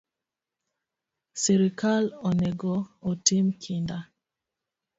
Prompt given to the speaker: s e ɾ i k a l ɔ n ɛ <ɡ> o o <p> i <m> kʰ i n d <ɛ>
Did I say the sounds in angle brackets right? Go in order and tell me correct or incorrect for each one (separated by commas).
correct, incorrect, correct, incorrect